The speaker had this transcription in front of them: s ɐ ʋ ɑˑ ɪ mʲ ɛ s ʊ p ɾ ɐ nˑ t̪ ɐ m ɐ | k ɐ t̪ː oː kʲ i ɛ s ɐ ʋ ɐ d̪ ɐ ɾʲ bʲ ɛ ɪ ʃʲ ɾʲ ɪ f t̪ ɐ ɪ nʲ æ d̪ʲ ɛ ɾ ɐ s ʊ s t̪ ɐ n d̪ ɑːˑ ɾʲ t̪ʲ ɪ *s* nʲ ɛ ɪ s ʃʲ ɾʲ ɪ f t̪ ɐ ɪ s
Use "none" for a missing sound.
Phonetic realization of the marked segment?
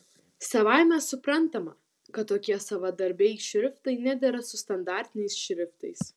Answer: none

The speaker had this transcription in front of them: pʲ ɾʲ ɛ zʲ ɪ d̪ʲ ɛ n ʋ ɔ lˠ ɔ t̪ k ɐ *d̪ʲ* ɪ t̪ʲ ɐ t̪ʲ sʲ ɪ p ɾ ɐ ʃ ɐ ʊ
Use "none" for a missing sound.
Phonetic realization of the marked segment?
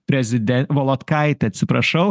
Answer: none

